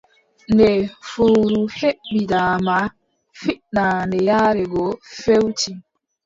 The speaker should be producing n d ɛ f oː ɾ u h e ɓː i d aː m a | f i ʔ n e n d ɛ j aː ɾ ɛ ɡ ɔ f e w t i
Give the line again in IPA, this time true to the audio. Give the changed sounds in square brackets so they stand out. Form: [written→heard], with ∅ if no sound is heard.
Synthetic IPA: n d ɛ f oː ɾ u h e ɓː i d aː m a | f i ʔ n [e→a] n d ɛ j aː ɾ ɛ ɡ ɔ f e w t i